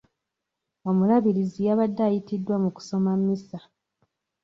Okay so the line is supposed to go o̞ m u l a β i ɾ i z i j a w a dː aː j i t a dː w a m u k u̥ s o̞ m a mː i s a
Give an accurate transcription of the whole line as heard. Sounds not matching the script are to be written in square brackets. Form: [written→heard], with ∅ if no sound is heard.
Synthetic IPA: o̞ m u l a β i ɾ i z i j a [w→β] a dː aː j i t [a→i] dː w a m u k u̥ s o̞ m a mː i s a